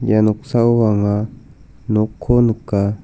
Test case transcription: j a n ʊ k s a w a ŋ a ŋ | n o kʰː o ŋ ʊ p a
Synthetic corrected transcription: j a n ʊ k s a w a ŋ a | n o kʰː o n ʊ k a